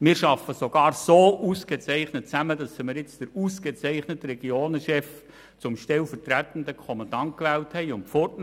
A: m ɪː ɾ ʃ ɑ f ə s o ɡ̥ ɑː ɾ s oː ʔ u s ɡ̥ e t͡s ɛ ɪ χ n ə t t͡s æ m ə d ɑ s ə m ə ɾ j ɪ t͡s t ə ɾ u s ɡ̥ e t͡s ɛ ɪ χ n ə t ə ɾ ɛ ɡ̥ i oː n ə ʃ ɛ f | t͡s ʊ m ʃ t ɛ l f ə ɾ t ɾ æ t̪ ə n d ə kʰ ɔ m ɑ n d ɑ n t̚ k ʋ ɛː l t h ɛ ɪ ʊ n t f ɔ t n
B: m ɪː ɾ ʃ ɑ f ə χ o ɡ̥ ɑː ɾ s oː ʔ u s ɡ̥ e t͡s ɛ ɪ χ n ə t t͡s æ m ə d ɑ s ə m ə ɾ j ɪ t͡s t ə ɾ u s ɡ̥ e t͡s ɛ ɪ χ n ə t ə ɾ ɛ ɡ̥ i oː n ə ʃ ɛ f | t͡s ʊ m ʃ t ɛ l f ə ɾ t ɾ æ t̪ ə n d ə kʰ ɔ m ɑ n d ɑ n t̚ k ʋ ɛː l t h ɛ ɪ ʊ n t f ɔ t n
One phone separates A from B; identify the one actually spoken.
A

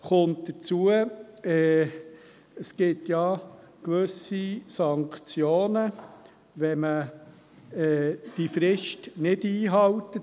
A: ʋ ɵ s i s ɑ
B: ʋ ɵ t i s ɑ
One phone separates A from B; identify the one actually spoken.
A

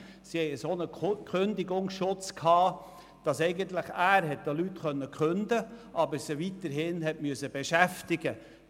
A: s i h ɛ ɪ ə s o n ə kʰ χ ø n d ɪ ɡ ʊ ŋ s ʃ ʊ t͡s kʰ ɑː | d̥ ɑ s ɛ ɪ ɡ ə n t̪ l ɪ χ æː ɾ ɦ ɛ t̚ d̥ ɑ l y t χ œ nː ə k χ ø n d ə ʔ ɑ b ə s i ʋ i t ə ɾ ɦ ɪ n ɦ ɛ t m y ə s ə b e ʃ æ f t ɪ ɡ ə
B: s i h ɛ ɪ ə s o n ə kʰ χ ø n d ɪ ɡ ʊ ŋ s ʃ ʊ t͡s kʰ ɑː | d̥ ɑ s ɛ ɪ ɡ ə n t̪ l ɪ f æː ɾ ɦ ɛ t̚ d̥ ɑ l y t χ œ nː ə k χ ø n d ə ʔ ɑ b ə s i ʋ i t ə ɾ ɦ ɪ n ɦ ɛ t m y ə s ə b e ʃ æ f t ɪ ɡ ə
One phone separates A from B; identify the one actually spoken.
A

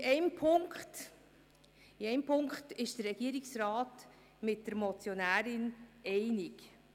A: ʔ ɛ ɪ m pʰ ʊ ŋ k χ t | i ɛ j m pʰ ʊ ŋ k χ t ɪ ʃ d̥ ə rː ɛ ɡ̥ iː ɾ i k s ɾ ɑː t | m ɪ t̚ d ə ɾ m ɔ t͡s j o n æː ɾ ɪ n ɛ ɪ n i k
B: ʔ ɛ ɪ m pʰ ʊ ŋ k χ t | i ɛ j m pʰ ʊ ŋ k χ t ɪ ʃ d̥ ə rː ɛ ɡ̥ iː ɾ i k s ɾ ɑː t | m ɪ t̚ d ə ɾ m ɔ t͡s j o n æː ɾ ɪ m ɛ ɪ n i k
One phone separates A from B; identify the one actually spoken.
A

